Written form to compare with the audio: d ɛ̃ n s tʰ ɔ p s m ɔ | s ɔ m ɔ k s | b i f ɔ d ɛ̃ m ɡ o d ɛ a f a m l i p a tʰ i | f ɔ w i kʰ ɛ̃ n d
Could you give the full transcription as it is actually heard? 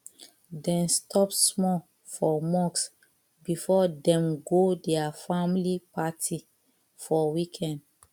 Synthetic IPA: d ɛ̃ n s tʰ ɔ p s m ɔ | f ɔ m ɔ k s | b i f ɔ d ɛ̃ m ɡ o d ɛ a f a m l i p a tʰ i | f ɔ w i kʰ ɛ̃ n d